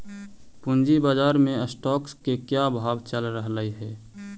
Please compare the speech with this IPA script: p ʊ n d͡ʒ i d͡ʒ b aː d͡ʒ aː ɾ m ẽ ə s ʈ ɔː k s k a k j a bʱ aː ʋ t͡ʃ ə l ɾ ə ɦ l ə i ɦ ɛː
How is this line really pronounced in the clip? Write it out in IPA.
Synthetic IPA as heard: p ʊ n d͡ʒ i b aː d͡ʒ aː ɾ m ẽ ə s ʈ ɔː k s k e k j a bʱ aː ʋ t͡ʃ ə l ɾ ə ɦ l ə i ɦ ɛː